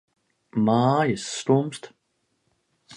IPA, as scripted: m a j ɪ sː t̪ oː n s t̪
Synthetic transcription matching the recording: m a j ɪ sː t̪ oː m s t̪

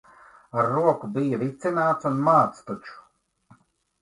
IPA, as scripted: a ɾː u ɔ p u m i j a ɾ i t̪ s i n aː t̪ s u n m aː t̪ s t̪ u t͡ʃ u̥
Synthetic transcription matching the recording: a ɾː u ɔ k u b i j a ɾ i t̪ s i n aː t̪ s u n m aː t̪ s t̪ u t͡ʃ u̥

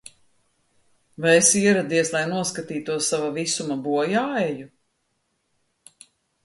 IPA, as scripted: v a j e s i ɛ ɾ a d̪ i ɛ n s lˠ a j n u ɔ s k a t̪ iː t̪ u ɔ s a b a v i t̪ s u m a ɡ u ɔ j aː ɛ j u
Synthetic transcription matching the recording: v a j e s i ɛ ɾ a d̪ i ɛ s lˠ a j n u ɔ s k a t̪ iː t̪ u ɔ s a v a v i s u m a b u ɔ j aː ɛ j u

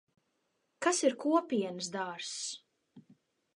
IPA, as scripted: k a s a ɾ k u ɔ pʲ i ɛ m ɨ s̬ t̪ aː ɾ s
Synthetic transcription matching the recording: k a s i ɾ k u ɔ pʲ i ɛ n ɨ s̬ d̪ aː ɾ s

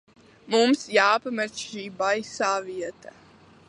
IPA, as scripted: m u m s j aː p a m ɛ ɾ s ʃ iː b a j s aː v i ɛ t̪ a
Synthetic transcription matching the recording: m u m s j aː p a m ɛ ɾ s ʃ iː b a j s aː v i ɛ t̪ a

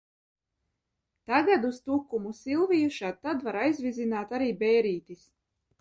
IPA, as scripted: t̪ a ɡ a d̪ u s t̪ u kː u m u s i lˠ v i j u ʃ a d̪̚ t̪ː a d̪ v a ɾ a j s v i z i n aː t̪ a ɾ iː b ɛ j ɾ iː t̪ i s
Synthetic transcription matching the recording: t̪ a ɡ a d̪ u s t̪ u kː u m u s i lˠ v i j u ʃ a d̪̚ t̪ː a d̪ v a ɾ a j z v i z i n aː t̪ a ɾ iː b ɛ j ɾ iː t̪ i s

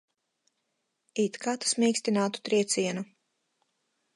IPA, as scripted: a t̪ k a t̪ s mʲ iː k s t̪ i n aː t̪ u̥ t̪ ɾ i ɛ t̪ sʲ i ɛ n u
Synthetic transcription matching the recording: i t̪ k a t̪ s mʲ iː k s t̪ i n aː t̪ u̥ t̪ ɾ i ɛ t̪ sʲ i ɛ n u

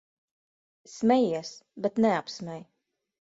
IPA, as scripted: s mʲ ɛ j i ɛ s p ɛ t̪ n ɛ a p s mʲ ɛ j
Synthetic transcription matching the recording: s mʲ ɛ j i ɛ s b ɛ t̪ n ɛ a p s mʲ ɛ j

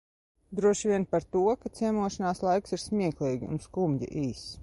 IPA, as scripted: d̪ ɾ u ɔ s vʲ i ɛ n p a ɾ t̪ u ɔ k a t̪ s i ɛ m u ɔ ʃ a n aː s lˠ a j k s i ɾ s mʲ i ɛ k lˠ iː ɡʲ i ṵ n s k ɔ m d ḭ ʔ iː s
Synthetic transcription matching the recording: d̪ ɾ u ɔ ʃ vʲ i ɛ n p a ɾ t̪ u ɔ k a t̪ s i ɛ m u ɔ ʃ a n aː s lˠ a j k s i ɾ s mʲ i ɛ k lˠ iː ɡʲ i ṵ n s k u m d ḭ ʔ iː s

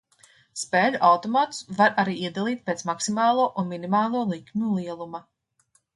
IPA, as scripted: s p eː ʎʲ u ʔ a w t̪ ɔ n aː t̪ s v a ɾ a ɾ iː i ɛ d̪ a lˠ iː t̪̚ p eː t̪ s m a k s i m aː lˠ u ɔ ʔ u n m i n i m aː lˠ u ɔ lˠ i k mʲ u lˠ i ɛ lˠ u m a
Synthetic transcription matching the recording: s p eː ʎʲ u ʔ a w t̪ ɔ m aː t̪ s v a ɾ a ɾ iː i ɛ d̪ a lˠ iː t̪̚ p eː t̪ s m a k s i m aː lˠ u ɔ ʔ u n m i n i m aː lˠ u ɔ lˠ i k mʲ u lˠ i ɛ lˠ u m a

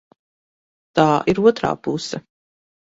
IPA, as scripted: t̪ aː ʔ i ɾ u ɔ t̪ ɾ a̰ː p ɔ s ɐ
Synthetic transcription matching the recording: t̪ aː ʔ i ɾ u ɔ t̪ ɾ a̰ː p u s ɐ

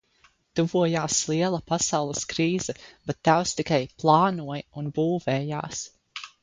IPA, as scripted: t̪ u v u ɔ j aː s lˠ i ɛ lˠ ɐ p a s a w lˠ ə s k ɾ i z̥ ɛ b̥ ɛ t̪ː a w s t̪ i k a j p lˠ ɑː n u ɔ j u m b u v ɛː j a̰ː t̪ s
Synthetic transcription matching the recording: t̪ u v u ɔ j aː s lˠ i ɛ lˠ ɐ p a s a w lˠ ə s k ɾ iː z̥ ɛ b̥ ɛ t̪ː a w s t̪ i k a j p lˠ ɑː n u ɔ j u n b uː v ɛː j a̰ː s

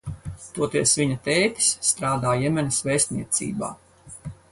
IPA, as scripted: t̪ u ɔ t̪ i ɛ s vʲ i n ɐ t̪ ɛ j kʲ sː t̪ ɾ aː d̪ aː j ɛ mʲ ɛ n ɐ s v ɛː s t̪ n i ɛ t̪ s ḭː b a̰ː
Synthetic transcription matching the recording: t̪ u ɔ t̪ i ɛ s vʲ i ɲ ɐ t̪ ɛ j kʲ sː t̪ ɾ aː d̪ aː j ɛ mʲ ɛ n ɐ s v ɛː s t̪ n i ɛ t̪ s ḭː b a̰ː

